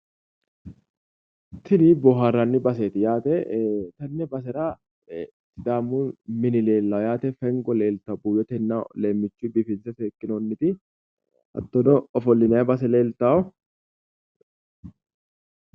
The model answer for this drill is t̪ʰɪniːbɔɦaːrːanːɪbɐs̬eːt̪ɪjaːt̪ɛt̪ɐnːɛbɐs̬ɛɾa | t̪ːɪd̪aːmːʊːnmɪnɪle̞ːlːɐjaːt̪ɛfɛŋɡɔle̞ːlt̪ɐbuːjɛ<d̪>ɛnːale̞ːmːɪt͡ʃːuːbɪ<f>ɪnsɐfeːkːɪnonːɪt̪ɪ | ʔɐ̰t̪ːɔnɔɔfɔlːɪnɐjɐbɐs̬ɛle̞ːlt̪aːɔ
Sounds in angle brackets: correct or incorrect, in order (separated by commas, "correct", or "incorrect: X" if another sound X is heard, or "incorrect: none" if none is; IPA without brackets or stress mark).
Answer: incorrect: t̪, correct